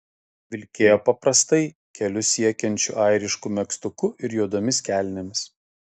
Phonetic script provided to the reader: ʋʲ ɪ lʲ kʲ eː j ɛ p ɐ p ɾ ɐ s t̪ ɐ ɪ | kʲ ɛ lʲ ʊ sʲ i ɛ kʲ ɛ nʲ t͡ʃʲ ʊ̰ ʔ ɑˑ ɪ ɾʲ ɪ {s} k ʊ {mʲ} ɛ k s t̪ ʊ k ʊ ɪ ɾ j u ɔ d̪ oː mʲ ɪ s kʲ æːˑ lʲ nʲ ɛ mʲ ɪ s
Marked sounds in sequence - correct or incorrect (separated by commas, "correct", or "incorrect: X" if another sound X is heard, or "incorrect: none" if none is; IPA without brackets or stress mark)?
incorrect: ʃ, correct